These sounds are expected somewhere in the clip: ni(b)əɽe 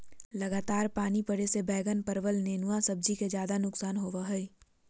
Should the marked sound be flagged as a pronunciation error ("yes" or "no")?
yes